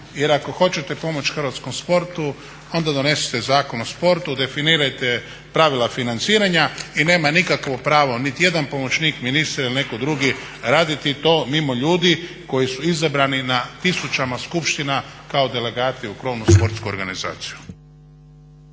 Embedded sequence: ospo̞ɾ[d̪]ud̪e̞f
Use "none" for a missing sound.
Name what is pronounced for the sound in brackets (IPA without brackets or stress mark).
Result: t̪